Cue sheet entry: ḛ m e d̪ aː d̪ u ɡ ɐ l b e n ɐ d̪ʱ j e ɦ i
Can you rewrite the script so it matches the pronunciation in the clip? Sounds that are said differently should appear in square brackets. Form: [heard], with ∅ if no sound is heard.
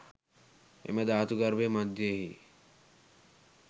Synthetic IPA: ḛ m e d̪ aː [t̪] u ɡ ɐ [ɾ] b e [m] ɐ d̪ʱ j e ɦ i